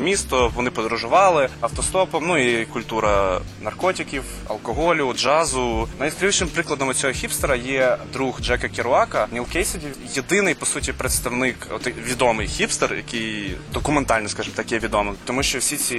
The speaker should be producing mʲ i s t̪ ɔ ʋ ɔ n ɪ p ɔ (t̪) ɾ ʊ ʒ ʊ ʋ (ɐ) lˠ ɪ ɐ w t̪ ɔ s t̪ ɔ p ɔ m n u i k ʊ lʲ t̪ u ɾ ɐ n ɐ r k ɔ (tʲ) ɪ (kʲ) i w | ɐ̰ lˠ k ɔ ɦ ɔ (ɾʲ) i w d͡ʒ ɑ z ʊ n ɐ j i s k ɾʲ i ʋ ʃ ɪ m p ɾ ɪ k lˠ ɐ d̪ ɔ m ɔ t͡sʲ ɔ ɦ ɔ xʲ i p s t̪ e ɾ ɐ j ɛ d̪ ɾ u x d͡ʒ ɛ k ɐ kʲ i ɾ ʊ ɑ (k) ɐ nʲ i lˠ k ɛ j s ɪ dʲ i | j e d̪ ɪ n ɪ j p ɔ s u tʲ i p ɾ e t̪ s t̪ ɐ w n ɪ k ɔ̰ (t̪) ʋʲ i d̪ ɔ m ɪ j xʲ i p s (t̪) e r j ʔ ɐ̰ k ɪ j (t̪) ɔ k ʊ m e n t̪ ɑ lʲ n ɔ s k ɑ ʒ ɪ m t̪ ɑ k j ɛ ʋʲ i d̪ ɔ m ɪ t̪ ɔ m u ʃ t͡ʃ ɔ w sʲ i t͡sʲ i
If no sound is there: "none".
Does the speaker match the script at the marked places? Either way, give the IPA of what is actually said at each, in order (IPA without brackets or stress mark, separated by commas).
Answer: d̪, ɑ, tʲ, kʲ, lʲ, k, t̪, t̪, d̪